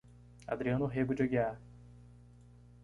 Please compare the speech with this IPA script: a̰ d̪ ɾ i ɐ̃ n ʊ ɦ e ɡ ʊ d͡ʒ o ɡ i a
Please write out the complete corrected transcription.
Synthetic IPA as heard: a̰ d̪ ɾ i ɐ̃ n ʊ ɦ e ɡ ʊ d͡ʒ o ɡ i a